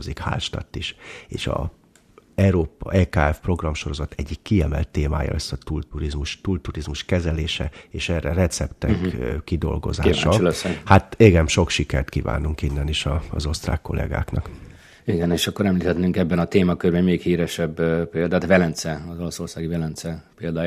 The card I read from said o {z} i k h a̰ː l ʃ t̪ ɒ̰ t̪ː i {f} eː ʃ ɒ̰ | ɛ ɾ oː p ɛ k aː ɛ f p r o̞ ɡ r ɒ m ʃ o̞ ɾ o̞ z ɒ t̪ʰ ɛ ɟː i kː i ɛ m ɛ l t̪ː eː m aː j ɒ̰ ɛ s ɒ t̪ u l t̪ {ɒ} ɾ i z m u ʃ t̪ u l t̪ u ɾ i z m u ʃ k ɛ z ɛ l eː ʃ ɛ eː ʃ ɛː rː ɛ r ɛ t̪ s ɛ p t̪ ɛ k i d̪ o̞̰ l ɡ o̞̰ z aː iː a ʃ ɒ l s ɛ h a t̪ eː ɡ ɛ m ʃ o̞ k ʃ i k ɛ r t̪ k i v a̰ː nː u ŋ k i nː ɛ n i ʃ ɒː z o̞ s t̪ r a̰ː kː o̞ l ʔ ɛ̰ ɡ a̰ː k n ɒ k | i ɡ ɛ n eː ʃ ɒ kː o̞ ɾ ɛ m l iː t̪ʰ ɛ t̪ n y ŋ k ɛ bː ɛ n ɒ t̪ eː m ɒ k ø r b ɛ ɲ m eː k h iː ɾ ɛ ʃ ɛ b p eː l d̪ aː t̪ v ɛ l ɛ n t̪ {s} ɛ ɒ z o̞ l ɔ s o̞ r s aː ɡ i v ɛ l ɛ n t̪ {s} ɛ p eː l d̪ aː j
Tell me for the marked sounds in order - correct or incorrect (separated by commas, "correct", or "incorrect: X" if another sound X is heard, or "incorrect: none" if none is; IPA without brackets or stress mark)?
correct, incorrect: ʃ, incorrect: u, correct, correct